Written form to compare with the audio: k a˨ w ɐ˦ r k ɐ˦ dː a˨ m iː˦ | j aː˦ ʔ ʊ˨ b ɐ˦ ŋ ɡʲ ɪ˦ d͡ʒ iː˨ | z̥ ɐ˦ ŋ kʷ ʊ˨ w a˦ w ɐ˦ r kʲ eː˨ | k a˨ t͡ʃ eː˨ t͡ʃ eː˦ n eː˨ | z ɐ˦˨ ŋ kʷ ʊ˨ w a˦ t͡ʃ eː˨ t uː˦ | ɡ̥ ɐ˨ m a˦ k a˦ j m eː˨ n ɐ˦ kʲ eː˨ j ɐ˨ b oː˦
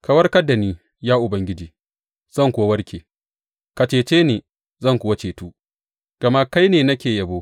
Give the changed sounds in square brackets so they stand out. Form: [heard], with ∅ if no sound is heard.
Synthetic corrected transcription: k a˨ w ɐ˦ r k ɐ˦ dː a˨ [n] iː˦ | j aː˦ ʔ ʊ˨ b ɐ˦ ŋ ɡʲ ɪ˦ d͡ʒ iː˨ | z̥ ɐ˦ ŋ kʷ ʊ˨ w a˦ w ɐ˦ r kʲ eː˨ | k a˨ t͡ʃ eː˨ t͡ʃ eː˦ n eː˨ | z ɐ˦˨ ŋ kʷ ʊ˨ w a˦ t͡ʃ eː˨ t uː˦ | ɡ̥ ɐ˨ m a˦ k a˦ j [n] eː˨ n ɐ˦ kʲ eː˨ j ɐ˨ b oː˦

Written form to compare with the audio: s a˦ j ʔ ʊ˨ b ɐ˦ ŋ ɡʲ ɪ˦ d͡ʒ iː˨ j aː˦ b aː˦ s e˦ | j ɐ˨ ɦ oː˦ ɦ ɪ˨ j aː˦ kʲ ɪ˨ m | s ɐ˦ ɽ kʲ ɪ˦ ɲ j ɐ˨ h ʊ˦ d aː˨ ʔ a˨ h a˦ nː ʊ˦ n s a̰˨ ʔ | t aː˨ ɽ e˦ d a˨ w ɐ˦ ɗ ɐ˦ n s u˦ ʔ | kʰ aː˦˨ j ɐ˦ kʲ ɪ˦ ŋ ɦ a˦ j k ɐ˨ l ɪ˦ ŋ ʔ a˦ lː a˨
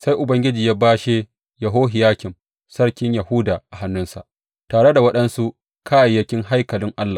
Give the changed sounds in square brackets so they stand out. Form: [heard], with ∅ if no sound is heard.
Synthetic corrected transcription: s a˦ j ʔ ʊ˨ b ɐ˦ ŋ ɡʲ ɪ˦ d͡ʒ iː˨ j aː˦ b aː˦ [ʃ] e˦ | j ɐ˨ ɦ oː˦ ɦ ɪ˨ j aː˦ kʲ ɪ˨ m | s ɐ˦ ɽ kʲ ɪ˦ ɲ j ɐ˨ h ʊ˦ d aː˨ ʔ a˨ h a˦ nː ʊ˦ n s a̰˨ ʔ | t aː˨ ɽ e˦ d a˨ w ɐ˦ ɗ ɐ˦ n s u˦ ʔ | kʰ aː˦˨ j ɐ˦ kʲ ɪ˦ ŋ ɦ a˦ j k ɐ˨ l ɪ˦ ŋ ʔ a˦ lː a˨

